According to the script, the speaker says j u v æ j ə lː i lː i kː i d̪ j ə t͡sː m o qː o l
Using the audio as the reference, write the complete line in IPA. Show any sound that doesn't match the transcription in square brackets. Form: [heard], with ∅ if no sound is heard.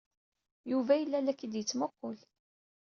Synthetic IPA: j u v æ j ə lː [æ] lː [æ] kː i d̪ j ə t͡sː m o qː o l